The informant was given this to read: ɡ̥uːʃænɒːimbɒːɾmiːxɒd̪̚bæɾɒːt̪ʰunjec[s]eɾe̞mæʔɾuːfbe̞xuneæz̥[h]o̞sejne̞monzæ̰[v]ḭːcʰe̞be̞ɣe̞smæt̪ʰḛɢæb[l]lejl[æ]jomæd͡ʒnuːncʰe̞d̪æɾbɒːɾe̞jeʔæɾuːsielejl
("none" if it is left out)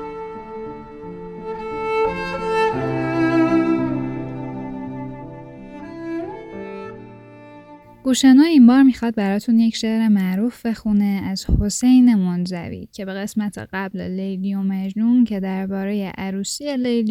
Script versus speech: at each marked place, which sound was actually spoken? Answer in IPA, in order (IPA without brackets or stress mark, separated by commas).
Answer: ʃ, h, v, l, i